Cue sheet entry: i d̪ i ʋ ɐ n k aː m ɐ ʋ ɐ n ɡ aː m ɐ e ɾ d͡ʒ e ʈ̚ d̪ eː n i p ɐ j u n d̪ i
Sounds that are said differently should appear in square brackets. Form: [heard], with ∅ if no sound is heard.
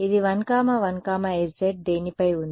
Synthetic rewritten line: i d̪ i ʋ ɐ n k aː m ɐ ʋ ɐ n [k] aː m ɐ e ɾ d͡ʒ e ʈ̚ d̪ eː n i p ɐ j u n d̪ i